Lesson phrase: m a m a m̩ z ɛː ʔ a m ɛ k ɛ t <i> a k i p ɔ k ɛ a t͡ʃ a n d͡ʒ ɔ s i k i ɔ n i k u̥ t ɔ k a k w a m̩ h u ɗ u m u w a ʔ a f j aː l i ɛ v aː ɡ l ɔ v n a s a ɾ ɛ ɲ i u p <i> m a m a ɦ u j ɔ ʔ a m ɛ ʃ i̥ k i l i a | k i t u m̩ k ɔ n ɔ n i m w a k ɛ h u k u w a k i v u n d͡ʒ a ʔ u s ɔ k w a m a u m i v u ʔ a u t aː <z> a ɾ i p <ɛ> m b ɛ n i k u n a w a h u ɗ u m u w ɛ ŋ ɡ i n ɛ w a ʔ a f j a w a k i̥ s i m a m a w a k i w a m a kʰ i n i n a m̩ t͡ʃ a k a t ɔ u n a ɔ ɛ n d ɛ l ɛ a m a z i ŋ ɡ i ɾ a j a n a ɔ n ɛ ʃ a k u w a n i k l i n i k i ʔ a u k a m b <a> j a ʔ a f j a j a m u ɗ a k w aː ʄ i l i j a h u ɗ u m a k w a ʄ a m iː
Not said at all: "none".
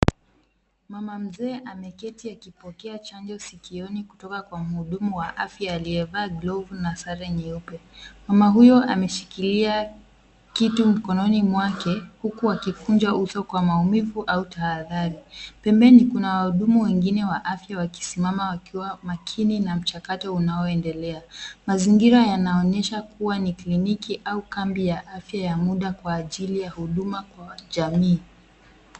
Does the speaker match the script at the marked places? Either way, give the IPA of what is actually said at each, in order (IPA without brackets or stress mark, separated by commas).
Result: i, ɛ, ð, ɛ, i